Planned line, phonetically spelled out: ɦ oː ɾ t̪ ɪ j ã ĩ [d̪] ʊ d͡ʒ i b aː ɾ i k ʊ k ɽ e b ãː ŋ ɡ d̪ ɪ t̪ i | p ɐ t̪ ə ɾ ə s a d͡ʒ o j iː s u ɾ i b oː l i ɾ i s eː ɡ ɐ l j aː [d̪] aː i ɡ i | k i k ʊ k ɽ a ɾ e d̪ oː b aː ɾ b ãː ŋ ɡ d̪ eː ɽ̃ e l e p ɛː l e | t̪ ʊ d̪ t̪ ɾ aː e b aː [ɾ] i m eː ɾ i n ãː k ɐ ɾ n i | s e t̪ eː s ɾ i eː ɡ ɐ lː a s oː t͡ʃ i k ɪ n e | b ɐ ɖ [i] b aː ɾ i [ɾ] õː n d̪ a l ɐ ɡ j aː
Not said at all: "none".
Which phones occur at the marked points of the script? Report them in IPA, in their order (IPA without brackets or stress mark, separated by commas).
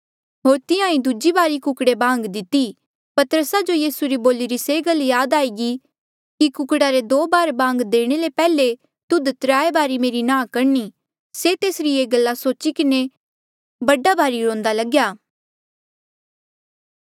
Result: d̪, d̪, ɾ, a, ɾ